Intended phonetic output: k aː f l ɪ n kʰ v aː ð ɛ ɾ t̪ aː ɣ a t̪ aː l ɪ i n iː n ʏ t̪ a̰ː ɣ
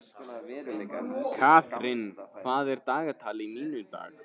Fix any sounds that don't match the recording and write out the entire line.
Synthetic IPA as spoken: kʰ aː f ɾ ɪ n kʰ v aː ð ɛ ɾ t̪ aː ɣ a t̪ʰ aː l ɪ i n iː n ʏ t̪ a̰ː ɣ